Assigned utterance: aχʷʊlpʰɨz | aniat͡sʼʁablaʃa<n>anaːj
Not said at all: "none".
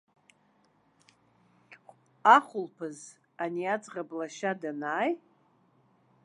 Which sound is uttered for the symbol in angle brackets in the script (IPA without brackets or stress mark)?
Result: d